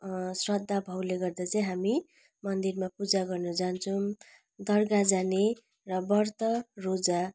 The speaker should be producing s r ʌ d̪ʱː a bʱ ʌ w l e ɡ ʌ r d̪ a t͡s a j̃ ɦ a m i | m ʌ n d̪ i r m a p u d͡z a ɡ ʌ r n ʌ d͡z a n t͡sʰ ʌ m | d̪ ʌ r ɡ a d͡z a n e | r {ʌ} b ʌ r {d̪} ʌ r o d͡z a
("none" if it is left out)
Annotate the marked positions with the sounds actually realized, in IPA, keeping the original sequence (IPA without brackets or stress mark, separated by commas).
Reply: ʌ, t̪